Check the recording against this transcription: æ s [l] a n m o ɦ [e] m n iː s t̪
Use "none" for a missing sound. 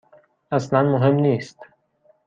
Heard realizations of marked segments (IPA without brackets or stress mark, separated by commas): l, e